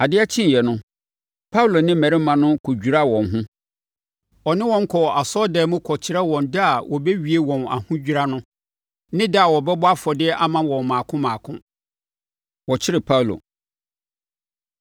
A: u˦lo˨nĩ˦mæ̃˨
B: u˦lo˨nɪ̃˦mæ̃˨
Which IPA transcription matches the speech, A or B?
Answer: B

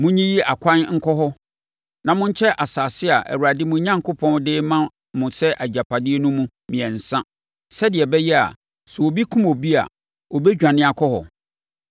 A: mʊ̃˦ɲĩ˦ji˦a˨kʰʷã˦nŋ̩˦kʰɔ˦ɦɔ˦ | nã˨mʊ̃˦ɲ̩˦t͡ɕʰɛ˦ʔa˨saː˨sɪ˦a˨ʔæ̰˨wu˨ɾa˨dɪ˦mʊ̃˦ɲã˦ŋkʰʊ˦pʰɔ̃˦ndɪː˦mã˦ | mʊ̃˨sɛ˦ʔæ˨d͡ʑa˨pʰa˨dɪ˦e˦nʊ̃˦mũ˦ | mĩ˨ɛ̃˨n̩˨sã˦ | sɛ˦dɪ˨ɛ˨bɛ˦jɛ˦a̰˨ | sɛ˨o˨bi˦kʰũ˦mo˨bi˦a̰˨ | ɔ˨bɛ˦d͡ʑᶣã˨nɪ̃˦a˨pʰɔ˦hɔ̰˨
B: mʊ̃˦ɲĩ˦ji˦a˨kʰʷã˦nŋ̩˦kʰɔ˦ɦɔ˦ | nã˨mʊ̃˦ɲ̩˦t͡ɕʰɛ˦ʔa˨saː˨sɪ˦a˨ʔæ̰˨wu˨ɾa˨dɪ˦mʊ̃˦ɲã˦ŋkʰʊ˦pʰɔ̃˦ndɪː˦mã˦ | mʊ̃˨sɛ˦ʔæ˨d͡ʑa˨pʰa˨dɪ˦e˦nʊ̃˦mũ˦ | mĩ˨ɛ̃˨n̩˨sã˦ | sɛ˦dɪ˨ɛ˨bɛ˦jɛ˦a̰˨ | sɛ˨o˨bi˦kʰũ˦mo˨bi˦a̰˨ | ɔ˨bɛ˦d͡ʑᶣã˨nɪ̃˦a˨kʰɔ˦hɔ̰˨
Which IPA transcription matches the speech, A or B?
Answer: B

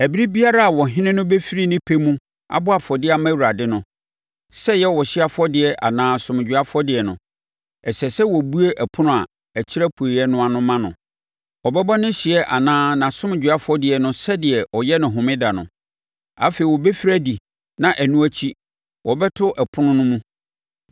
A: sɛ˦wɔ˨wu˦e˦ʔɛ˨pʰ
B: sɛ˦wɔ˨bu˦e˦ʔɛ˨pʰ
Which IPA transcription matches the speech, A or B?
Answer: B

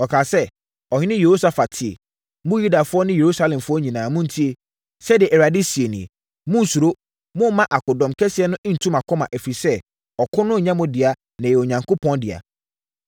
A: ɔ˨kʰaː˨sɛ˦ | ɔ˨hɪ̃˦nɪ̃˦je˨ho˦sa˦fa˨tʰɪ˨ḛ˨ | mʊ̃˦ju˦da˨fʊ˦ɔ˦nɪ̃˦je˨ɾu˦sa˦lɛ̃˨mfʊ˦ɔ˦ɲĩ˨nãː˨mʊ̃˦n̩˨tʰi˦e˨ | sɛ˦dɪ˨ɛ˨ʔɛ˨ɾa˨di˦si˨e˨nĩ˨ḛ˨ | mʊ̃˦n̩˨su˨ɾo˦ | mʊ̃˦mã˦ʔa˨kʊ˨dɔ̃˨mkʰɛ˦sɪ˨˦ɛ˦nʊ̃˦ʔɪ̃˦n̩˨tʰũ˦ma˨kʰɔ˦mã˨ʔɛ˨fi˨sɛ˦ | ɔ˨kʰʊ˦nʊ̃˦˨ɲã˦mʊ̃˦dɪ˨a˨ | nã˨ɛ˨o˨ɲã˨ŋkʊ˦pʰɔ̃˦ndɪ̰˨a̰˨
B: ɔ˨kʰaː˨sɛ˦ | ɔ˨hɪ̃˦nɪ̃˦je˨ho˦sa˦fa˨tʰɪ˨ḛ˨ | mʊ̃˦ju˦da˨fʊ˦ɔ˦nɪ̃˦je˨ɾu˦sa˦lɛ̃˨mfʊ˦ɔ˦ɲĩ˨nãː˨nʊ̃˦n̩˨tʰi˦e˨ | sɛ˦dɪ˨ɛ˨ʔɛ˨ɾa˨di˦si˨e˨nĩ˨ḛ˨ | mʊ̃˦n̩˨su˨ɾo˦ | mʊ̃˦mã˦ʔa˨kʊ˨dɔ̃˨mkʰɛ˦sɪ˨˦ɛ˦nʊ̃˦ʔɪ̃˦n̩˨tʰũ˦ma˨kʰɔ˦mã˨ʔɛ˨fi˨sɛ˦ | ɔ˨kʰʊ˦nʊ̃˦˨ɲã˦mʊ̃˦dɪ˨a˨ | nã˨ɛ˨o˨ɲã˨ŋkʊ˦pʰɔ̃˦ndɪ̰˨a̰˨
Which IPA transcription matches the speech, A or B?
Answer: A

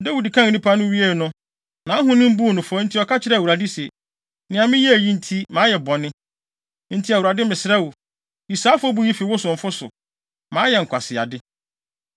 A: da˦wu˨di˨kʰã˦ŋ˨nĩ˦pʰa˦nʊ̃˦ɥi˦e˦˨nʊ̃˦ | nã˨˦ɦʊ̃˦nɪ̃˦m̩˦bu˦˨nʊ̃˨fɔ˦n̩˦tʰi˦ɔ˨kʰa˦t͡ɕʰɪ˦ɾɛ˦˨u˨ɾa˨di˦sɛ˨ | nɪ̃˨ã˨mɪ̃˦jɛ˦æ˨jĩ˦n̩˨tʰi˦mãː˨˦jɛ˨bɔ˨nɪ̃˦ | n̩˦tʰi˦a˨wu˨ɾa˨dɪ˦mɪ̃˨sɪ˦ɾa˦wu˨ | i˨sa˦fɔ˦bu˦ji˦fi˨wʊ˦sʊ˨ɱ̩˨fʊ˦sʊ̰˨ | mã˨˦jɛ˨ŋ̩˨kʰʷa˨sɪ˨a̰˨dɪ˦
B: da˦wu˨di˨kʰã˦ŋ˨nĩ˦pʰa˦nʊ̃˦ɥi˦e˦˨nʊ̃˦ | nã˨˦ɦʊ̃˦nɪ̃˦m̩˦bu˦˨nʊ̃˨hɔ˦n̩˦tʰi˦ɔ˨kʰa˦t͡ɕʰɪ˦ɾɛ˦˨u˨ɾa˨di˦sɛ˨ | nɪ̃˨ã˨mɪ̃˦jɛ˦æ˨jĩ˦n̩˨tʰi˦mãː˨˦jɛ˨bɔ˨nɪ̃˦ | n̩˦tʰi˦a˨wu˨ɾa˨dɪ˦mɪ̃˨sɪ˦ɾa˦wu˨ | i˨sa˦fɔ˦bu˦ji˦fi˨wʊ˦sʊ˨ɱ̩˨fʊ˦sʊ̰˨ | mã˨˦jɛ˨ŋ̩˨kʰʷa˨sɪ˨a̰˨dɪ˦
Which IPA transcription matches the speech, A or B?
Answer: A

